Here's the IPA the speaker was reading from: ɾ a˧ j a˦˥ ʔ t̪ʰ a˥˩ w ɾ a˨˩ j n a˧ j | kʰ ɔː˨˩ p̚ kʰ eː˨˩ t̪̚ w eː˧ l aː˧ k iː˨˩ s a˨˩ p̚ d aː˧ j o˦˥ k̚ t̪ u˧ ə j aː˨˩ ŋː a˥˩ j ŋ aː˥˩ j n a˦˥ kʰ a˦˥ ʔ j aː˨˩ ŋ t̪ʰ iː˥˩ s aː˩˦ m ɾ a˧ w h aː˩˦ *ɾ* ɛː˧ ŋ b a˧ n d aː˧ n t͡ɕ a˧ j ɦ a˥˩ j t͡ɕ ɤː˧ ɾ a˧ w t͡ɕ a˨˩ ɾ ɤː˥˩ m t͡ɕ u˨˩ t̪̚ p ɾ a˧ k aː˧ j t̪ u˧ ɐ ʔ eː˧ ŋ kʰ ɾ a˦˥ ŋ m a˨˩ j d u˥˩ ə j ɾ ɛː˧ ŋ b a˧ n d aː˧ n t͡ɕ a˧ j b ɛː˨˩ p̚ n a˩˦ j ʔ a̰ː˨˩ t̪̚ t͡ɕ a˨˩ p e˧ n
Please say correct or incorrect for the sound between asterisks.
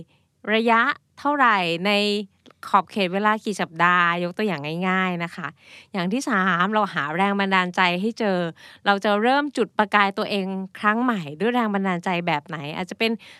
correct